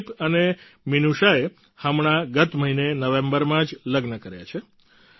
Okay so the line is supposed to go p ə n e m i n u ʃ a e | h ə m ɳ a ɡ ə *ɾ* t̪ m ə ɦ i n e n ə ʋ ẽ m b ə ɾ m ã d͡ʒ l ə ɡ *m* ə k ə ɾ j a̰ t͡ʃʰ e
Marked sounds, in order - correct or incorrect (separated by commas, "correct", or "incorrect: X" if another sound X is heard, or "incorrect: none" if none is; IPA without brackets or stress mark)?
incorrect: none, incorrect: n